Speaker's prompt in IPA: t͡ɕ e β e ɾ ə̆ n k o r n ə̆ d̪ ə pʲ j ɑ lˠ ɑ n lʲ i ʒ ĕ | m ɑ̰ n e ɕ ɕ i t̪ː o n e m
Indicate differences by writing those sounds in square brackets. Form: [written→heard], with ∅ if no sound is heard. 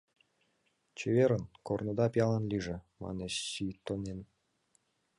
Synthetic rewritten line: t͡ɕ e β e ɾ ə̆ n k o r n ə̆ d̪ [ə→ɑ] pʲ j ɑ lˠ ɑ n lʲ i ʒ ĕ | m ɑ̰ n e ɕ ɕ i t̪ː o n e [m→n]

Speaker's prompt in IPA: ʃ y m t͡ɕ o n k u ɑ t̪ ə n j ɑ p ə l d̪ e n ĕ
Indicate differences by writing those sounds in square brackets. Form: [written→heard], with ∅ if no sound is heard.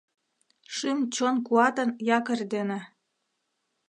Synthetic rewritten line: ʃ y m t͡ɕ o n k u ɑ t̪ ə n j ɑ [p→k] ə [l→r] d̪ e n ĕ

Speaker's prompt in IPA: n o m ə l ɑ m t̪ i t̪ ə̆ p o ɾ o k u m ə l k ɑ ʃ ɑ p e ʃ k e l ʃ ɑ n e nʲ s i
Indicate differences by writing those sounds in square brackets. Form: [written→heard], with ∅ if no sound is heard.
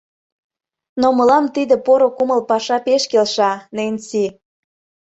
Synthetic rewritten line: n o m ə l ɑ m t̪ i [t̪→d̪] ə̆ p o ɾ o k u m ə l [k→p] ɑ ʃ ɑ p e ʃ k e l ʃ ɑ n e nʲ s i

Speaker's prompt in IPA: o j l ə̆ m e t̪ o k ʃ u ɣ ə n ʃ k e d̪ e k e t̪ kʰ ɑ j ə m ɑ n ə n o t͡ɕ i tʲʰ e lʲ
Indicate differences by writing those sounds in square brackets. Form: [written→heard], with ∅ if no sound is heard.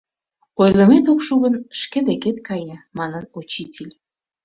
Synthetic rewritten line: o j l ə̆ m e t̪ o k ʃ u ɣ ə n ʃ k e d̪ e k e t̪ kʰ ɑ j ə m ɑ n ə n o t͡ɕ i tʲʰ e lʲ

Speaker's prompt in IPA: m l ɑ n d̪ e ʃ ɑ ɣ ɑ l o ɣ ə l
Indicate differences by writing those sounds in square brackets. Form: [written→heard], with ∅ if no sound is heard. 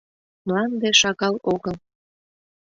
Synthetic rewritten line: m l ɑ n d̪ e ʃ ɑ ɣ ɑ l o ɣ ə l

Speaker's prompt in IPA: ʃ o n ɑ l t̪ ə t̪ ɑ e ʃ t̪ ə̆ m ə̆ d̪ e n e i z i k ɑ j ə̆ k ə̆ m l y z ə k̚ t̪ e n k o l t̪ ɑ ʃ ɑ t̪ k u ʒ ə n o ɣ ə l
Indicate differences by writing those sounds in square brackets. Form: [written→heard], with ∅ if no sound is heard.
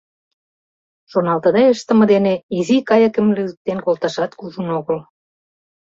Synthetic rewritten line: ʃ o n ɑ l t̪ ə [t̪→d̪] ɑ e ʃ t̪ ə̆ m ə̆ d̪ e n e i z i k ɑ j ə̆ k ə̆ m l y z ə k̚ t̪ e n k o l t̪ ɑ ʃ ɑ t̪ k u ʒ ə n o ɣ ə l

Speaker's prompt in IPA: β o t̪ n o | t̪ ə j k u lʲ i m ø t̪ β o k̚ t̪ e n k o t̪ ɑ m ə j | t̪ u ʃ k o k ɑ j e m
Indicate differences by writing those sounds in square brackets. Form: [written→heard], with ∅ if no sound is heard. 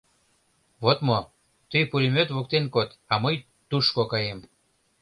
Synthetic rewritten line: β o t̪ [n→m] o | t̪ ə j [k→p] u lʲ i m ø t̪ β o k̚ t̪ e n k o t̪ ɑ m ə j | t̪ u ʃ k o k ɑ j e m

